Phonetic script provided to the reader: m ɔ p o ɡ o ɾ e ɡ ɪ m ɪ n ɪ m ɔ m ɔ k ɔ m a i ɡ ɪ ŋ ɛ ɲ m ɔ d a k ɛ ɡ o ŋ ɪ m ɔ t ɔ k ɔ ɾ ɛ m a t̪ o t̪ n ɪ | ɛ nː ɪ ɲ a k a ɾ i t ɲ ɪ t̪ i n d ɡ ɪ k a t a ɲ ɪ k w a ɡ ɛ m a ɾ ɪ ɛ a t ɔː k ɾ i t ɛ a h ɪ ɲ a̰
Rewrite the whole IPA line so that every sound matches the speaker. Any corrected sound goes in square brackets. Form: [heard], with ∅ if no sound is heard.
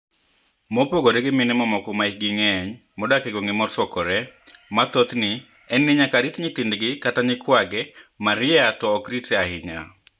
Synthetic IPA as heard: m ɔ p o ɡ o ɾ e ɡ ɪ m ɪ n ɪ m ɔ m ɔ k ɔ m a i ɡ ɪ ŋ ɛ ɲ m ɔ d a k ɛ ɡ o ŋ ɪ m ɔ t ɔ k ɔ ɾ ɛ m a t̪ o t̪ n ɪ | ɛ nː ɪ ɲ a k a ɾ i t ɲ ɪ t̪ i n d ɡ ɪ k a t a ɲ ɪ k w a ɡ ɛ m a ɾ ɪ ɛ a t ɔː k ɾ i t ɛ a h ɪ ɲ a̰